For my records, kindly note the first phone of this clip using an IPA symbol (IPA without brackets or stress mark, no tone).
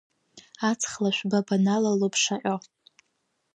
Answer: a